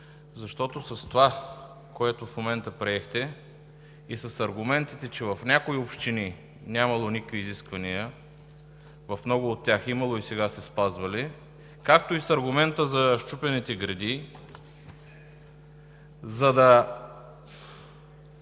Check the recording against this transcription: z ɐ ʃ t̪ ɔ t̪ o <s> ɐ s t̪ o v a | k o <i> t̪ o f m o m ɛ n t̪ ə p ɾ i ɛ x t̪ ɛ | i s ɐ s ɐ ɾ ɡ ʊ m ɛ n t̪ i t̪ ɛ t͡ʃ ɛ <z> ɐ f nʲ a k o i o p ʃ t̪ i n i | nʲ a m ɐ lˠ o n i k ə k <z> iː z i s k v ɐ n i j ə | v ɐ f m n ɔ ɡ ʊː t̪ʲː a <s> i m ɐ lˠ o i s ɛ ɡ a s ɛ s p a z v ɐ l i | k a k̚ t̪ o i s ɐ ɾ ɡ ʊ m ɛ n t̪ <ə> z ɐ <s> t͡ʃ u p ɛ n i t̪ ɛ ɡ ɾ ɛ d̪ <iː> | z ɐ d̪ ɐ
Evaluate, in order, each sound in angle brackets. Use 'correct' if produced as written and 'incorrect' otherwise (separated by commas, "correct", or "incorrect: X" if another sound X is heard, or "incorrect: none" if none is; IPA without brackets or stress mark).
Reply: correct, incorrect: ɛ, incorrect: v, incorrect: v, incorrect: x, correct, incorrect: ʃ, incorrect: i